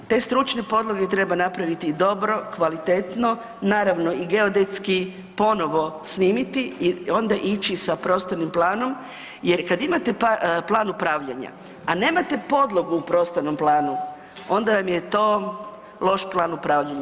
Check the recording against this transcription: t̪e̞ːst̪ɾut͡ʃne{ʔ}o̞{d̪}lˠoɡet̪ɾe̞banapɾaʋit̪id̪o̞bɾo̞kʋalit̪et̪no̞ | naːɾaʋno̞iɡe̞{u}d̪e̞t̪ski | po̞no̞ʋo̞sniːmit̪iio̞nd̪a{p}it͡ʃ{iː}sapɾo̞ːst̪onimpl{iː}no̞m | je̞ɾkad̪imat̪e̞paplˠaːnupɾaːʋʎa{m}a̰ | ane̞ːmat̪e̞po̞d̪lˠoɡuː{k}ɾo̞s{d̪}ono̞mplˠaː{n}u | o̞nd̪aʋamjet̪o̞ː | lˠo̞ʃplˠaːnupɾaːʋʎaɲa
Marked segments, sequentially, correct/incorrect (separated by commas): incorrect, correct, incorrect, incorrect, incorrect, incorrect, incorrect, incorrect, incorrect, correct